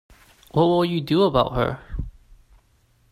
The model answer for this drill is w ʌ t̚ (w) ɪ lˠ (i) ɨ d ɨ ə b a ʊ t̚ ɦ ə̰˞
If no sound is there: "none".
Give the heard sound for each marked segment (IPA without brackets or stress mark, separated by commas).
w, j